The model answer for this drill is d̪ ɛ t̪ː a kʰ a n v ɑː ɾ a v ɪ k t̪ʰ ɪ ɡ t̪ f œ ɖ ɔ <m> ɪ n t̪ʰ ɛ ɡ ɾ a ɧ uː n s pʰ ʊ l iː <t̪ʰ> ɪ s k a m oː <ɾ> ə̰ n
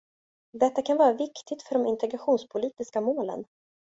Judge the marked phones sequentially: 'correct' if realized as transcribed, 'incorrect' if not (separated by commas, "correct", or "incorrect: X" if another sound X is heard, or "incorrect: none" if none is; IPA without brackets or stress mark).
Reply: correct, incorrect: t̪, incorrect: l